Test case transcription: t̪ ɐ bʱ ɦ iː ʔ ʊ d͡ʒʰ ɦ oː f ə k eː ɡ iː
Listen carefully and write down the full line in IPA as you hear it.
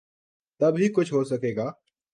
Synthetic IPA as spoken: t̪ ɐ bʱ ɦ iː k ʊ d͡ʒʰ ɦ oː s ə k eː ɡ aː